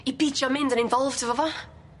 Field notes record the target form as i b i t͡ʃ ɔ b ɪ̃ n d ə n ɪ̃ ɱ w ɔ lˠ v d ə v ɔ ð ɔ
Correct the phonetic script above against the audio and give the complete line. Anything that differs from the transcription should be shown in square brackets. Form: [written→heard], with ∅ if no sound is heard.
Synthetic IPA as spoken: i b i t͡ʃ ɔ [b→m] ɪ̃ n d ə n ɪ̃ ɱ [w→v] ɔ lˠ v d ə v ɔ [ð→v] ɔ